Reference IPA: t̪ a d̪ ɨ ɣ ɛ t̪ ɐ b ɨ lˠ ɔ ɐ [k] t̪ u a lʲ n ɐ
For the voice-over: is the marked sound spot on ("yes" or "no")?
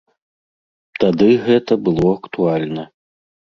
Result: yes